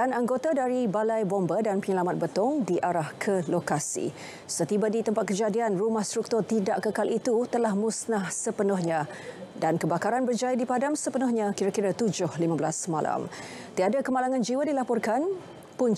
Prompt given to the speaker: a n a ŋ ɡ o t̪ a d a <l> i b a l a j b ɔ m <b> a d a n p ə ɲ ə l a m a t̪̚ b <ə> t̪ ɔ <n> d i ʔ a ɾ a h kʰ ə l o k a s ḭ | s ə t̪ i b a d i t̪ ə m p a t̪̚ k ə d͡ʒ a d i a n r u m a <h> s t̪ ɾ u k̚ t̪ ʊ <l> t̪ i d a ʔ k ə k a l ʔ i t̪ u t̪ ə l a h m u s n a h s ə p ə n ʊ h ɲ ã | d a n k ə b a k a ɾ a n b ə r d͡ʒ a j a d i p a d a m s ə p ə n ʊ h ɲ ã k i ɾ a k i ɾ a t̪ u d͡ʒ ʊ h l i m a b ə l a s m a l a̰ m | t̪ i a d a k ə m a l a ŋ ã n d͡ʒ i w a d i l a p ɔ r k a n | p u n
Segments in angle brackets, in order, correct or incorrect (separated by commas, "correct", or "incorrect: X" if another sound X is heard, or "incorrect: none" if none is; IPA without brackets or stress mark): incorrect: ɾ, correct, correct, incorrect: ŋ, correct, incorrect: r